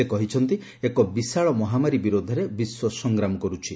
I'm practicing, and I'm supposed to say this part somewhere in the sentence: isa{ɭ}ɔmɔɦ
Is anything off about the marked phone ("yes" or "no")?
no